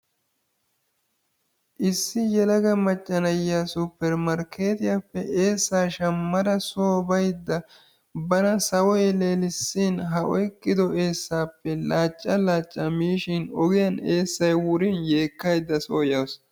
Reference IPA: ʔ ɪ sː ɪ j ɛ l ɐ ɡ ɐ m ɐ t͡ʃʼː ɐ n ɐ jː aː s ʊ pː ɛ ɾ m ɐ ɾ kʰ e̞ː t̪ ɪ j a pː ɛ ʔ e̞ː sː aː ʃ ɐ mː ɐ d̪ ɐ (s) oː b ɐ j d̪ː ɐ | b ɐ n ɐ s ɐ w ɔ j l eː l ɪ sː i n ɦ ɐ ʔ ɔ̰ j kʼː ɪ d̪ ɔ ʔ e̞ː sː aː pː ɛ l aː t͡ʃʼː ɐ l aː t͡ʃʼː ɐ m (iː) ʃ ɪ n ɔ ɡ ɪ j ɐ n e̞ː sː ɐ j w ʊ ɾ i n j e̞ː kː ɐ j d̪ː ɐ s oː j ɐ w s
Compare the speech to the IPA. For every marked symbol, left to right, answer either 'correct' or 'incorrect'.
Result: correct, correct

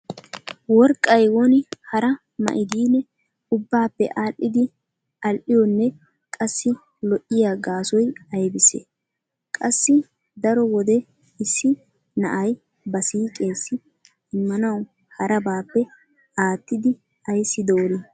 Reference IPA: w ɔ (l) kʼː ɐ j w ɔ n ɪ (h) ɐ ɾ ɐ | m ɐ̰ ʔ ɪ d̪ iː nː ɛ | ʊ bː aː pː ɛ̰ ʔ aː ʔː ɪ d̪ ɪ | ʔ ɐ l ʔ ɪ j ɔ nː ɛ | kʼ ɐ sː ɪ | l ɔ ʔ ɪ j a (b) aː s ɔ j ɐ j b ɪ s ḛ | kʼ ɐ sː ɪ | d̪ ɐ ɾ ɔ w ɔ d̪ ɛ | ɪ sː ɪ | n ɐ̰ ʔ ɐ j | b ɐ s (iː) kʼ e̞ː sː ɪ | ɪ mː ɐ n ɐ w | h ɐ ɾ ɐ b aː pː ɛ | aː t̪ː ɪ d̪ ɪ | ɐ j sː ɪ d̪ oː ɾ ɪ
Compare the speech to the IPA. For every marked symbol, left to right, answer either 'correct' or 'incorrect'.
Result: incorrect, correct, incorrect, correct

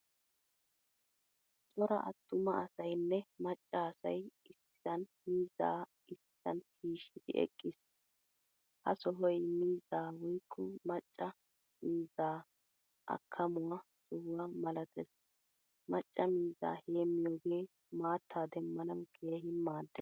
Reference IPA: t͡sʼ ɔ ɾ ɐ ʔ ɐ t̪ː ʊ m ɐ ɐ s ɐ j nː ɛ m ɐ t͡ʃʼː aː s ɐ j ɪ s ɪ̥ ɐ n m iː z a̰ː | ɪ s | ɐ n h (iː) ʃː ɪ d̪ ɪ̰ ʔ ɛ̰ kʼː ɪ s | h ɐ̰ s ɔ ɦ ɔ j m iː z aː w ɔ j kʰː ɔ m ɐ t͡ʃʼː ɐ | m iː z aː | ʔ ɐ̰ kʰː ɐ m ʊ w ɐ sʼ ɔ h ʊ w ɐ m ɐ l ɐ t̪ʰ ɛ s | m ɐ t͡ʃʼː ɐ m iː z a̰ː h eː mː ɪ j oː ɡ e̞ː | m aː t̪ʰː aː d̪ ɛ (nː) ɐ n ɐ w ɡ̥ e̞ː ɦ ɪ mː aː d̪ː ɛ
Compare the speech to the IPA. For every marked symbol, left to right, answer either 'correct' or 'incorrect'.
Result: correct, incorrect

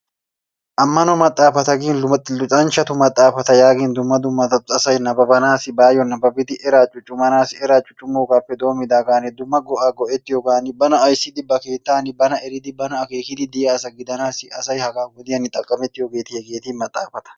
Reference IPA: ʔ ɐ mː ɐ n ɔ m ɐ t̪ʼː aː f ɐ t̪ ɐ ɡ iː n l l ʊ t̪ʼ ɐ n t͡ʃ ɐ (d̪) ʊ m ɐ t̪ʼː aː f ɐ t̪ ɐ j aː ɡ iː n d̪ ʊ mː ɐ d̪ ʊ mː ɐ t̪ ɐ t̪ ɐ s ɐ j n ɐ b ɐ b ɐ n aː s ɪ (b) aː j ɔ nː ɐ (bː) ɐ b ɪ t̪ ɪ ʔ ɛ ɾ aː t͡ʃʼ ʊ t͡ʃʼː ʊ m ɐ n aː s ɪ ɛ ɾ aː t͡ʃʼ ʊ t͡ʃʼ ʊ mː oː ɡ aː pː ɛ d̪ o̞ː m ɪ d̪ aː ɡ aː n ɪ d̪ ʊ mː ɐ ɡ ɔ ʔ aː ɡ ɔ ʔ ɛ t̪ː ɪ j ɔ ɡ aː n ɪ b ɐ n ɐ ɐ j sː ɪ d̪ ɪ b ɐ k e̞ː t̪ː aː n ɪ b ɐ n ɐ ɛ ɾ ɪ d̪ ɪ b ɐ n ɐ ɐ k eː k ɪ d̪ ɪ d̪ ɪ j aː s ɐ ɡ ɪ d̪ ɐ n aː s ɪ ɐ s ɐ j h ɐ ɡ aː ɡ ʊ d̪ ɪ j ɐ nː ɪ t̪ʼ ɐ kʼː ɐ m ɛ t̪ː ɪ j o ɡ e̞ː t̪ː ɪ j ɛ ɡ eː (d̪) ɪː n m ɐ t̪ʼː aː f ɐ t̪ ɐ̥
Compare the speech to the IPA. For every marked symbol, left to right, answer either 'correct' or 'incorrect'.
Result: incorrect, correct, incorrect, incorrect

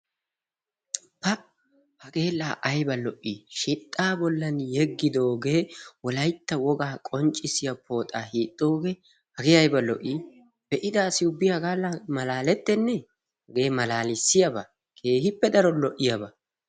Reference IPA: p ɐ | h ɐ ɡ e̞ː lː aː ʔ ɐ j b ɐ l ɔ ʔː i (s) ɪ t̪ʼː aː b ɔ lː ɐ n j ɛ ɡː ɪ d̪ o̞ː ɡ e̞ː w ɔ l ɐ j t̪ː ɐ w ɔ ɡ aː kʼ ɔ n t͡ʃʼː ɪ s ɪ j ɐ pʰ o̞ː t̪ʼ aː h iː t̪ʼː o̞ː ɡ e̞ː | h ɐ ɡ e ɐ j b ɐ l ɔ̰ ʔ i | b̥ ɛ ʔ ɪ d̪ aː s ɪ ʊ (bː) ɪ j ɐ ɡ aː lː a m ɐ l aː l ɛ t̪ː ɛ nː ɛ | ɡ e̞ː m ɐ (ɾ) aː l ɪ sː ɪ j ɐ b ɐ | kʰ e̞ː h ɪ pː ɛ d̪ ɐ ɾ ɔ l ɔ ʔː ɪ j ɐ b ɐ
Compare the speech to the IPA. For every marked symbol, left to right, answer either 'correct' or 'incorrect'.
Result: incorrect, correct, incorrect

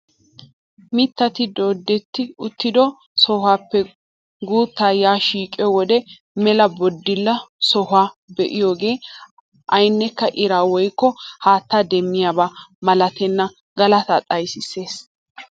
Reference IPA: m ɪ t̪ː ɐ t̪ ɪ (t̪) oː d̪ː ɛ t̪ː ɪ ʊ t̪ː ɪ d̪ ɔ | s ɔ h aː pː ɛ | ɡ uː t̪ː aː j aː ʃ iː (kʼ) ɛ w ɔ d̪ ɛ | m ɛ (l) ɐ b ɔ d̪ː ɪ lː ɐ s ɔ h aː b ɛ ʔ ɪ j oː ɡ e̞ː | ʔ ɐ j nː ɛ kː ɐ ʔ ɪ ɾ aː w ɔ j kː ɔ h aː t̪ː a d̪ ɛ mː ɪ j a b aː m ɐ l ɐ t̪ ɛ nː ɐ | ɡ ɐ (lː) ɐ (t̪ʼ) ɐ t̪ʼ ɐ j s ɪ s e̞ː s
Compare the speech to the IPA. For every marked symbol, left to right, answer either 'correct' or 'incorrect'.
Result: incorrect, correct, correct, incorrect, incorrect

